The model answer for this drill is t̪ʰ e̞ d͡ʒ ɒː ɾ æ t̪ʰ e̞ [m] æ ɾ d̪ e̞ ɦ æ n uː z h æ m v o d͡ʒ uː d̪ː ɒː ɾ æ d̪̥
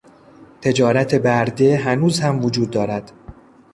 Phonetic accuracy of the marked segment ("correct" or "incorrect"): incorrect